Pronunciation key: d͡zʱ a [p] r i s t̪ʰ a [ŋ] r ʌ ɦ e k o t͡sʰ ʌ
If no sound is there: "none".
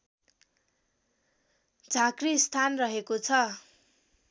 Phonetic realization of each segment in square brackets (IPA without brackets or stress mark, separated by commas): k, n